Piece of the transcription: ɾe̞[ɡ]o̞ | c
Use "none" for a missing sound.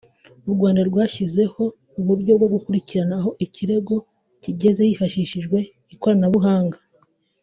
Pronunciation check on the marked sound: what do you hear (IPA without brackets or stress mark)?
ɡ